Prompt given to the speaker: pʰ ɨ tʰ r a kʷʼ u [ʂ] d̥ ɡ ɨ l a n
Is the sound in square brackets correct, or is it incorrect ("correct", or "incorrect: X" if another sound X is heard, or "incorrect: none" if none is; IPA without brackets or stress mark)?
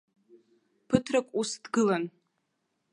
incorrect: s